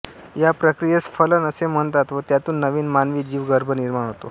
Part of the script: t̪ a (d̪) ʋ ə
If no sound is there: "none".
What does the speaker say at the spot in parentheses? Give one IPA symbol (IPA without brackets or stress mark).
t̪